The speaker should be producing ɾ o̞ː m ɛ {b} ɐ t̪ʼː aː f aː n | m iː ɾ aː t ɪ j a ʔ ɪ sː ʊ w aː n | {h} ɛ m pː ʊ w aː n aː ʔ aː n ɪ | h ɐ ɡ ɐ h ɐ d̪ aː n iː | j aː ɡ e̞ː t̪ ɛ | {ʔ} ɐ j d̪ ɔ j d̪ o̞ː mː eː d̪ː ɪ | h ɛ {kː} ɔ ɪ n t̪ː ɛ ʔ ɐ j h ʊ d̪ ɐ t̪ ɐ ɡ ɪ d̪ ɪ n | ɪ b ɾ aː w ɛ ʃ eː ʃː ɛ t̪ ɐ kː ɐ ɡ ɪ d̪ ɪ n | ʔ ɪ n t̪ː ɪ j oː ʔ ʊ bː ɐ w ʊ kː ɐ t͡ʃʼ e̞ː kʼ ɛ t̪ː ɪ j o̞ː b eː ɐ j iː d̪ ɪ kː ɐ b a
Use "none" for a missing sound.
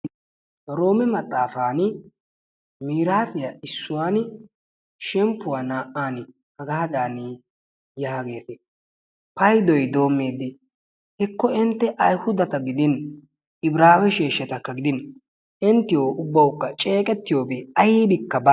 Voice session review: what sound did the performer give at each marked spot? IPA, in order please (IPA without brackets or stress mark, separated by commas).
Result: m, ʃ, p, kː